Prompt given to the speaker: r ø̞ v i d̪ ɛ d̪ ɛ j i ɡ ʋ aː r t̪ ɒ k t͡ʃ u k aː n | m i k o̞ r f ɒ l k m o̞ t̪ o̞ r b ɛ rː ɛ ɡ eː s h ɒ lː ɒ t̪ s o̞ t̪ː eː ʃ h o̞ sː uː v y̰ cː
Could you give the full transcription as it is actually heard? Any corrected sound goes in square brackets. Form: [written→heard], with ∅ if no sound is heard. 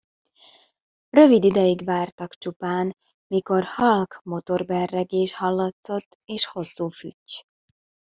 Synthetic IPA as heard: r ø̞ v i d̪ [ɛ→i] d̪ ɛ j i ɡ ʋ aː r t̪ ɒ k t͡ʃ u [k→p] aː n | m i k o̞ r [f→h] ɒ l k m o̞ t̪ o̞ r b ɛ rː ɛ ɡ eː [s→ʃ] h ɒ lː ɒ t̪ s o̞ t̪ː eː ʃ h o̞ sː uː [v→f] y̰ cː